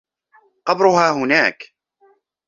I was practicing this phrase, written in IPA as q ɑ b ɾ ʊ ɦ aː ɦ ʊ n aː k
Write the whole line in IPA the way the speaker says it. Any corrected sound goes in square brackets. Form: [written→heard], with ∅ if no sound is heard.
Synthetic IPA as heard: q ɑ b ɾ ʊ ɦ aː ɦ ʊ n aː k